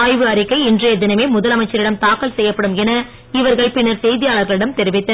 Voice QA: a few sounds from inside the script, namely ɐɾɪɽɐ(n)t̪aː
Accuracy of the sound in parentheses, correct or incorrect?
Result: incorrect: m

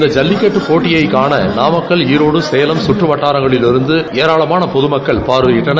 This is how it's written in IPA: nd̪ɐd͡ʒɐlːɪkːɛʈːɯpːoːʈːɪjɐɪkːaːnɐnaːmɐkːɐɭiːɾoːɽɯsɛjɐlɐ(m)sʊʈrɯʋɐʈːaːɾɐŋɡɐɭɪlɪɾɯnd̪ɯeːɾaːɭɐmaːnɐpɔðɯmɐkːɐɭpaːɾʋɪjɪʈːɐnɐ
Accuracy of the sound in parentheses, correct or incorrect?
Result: correct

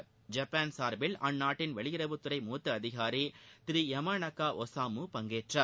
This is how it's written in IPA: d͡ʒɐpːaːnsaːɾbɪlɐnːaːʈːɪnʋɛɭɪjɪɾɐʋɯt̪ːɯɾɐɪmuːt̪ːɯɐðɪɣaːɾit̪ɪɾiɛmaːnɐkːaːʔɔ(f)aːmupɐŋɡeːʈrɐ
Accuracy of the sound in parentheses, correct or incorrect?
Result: incorrect: s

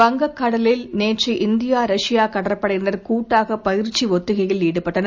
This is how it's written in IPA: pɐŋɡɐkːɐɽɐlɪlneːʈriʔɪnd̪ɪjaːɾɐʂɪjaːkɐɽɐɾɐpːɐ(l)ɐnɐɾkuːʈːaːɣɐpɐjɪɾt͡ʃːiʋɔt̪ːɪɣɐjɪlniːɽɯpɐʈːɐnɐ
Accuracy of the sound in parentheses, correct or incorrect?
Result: incorrect: ɽ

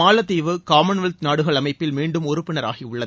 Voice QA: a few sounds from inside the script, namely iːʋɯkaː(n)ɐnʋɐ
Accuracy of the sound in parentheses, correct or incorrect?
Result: incorrect: m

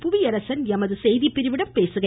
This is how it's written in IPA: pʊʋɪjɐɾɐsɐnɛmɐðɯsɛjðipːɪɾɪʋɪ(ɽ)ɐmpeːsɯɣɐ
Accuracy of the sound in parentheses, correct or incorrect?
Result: correct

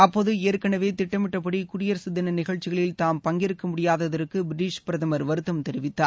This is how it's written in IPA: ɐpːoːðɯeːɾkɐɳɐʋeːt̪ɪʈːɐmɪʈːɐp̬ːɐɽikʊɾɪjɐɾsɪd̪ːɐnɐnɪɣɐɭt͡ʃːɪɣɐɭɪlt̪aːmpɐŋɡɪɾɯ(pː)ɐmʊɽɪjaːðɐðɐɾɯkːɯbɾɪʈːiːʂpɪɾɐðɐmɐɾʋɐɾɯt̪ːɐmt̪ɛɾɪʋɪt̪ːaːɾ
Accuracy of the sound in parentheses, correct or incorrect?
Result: incorrect: kː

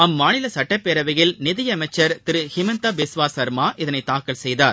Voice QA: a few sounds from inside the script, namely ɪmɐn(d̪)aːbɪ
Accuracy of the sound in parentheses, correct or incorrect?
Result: incorrect: t̪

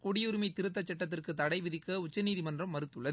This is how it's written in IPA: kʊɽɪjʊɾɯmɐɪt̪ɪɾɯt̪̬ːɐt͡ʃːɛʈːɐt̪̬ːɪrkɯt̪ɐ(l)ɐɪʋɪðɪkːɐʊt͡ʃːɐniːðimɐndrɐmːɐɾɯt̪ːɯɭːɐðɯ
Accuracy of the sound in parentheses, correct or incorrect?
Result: incorrect: ɽ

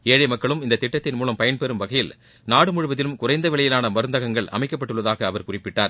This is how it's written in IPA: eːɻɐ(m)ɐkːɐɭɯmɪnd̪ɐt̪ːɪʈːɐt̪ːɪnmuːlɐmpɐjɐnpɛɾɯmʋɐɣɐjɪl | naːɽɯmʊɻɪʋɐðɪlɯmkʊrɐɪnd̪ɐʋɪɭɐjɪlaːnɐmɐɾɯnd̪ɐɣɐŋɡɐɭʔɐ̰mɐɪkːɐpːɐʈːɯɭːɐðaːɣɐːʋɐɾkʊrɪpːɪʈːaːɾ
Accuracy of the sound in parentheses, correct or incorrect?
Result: correct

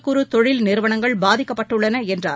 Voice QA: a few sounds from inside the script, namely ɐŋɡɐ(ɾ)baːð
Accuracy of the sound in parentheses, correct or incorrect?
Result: incorrect: ɭ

